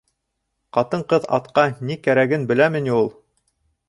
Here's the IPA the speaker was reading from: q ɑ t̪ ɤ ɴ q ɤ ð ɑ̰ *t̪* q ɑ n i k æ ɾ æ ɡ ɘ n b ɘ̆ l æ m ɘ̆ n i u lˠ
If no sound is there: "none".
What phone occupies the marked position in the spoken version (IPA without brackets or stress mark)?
t̪